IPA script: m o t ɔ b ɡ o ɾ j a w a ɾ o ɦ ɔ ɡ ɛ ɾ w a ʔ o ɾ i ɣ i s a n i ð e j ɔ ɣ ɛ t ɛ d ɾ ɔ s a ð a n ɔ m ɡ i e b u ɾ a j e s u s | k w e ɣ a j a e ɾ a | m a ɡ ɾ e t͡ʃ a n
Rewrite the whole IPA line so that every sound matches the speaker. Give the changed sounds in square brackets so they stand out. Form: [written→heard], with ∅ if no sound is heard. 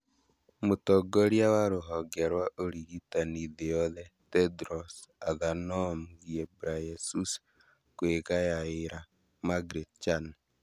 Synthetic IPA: m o t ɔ [b→∅] ɡ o ɾ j a w a ɾ o ɦ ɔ ɡ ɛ ɾ w a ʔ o ɾ i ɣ i [s→t] a n i ð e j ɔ [ɣ→ð] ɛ t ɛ d ɾ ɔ s a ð a n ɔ m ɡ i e b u ɾ a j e s u s | k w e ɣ a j a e ɾ a | m a ɡ ɾ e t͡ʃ a n